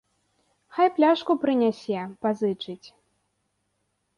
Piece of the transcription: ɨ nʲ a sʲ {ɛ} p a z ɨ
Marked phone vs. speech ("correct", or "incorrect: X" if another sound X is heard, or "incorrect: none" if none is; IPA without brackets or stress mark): correct